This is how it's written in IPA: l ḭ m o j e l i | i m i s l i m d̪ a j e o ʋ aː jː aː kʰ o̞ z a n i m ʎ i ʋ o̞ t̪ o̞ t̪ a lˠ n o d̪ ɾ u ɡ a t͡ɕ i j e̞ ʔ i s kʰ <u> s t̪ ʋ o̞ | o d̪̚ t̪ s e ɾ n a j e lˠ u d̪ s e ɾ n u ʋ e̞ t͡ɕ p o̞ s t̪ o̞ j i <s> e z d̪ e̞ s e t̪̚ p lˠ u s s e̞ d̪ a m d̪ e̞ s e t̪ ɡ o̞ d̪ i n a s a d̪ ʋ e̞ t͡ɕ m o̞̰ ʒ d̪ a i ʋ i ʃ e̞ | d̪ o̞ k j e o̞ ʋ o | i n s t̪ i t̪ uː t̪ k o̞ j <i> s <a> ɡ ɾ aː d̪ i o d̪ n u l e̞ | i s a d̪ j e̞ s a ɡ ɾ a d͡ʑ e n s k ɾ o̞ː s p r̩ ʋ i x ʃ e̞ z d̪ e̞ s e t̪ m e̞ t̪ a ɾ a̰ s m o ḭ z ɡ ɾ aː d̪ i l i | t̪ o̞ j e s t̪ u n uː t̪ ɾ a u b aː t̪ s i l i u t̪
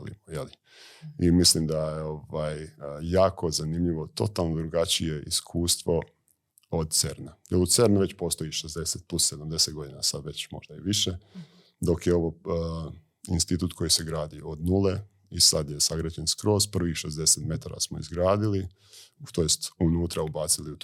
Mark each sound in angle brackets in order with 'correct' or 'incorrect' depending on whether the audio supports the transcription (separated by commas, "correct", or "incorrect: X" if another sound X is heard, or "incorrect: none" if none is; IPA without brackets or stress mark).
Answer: incorrect: uː, incorrect: ʃ, correct, incorrect: e